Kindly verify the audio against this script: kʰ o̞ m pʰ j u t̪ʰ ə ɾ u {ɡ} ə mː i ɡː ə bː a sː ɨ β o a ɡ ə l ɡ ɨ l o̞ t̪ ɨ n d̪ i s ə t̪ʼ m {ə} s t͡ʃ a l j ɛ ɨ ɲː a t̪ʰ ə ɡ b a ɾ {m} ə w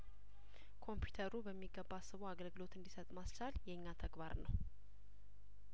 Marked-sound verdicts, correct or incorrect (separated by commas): incorrect, incorrect, incorrect